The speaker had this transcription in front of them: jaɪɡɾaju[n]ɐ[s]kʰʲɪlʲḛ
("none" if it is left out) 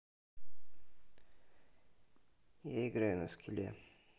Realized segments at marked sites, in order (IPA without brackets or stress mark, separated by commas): n, s